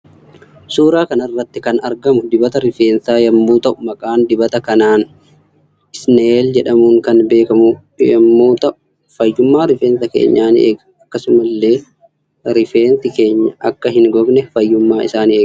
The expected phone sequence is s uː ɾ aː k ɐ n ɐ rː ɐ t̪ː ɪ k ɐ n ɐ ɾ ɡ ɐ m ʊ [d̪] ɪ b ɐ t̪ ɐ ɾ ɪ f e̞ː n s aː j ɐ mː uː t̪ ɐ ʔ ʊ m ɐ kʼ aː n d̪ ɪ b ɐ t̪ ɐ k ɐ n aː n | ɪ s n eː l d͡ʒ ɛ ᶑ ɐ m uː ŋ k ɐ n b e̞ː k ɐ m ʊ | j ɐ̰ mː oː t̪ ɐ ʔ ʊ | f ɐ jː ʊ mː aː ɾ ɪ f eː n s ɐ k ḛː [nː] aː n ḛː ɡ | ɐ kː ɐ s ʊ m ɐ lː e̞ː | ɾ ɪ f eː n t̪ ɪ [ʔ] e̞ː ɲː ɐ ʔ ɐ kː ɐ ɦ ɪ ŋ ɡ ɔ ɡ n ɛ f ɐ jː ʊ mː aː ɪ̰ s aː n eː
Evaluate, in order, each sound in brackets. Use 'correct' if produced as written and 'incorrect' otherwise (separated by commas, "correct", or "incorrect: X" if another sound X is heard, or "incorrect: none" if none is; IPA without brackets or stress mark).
correct, incorrect: ɲː, incorrect: k